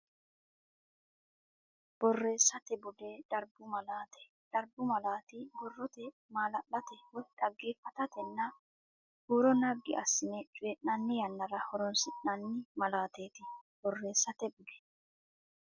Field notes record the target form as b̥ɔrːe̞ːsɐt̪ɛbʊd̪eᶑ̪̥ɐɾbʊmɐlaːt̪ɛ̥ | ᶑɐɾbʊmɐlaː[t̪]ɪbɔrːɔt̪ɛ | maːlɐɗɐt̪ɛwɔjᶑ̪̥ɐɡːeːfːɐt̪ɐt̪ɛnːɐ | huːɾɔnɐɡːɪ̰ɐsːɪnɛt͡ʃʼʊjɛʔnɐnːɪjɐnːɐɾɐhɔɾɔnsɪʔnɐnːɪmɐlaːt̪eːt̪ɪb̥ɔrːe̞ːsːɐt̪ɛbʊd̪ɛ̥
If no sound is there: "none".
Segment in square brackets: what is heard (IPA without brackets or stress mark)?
t̪